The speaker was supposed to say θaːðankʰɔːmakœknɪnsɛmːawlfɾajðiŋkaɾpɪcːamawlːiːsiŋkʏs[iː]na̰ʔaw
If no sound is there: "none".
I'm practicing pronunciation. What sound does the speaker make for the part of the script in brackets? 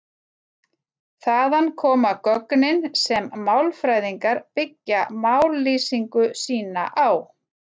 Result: iː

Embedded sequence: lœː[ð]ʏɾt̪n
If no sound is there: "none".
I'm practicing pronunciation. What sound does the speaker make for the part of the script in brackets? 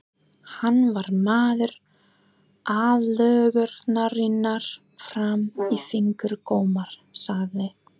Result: ɣ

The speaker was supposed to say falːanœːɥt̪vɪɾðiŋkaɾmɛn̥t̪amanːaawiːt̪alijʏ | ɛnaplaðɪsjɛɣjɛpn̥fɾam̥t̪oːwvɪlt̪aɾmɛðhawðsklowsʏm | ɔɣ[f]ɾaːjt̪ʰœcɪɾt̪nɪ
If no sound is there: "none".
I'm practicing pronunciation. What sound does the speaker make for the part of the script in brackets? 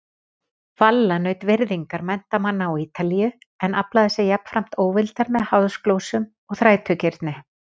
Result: θ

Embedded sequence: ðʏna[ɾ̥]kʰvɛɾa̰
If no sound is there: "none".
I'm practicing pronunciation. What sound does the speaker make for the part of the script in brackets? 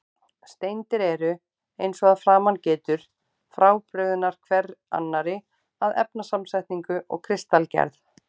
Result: ɾ̥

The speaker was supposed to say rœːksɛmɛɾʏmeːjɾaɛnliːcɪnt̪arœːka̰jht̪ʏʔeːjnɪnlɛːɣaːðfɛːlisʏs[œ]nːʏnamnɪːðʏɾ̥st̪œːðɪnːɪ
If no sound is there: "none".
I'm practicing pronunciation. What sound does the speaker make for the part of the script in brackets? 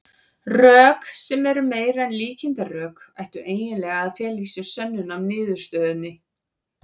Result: œ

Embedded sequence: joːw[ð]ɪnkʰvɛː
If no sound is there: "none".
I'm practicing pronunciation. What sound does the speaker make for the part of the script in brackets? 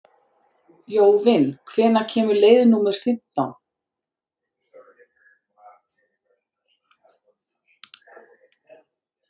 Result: v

